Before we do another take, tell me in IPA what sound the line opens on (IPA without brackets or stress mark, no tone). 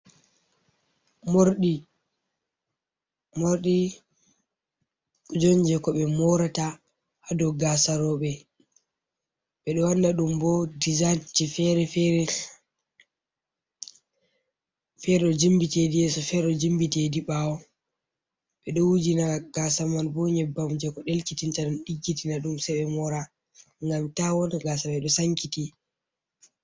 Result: m